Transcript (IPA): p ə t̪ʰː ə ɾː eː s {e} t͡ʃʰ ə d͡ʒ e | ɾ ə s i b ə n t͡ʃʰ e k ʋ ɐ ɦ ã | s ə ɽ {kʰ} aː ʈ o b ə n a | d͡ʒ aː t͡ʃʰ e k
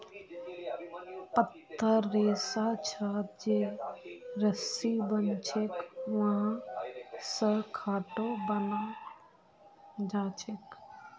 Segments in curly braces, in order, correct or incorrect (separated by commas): incorrect, correct